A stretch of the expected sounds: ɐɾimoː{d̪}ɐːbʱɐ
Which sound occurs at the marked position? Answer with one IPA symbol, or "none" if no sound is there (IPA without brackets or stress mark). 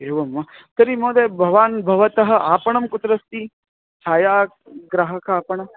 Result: d̪